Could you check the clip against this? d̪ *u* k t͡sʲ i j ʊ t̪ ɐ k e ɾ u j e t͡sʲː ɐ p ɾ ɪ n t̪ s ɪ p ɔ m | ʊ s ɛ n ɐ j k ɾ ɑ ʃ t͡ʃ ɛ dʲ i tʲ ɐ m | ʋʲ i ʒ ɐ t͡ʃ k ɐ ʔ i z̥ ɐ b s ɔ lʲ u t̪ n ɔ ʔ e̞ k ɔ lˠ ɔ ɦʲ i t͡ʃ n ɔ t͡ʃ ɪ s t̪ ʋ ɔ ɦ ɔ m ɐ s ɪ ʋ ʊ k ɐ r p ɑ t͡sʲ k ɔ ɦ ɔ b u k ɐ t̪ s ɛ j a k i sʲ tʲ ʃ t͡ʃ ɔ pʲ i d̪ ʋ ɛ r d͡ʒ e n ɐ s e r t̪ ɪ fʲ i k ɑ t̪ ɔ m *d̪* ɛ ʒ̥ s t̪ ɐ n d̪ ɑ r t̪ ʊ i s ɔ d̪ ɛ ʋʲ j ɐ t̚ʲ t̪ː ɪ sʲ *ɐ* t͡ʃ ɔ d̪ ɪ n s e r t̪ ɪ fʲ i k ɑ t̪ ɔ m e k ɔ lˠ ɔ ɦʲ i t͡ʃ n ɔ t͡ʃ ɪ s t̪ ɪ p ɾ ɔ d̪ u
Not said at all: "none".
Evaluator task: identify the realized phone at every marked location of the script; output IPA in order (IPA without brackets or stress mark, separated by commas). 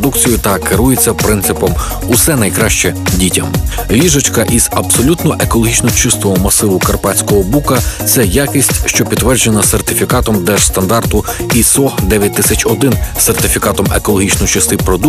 u, d̪, ɐ